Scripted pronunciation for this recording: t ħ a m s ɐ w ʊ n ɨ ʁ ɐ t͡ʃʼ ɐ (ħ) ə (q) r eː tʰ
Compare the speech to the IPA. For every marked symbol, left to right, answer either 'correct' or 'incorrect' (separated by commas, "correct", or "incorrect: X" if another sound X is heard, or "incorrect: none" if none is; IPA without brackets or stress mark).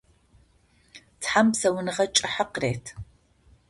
correct, correct